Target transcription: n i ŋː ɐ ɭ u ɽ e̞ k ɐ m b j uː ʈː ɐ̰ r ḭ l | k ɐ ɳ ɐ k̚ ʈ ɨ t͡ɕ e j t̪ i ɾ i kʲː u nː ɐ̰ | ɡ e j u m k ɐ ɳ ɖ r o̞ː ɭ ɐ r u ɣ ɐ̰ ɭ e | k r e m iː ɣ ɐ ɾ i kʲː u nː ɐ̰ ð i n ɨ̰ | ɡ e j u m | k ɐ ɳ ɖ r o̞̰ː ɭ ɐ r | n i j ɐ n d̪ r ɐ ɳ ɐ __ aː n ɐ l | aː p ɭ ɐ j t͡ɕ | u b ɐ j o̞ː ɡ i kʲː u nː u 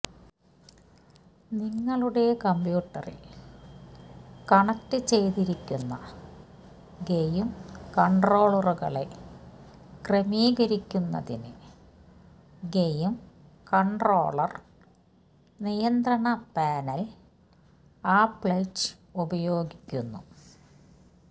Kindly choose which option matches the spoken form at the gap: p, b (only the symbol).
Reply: p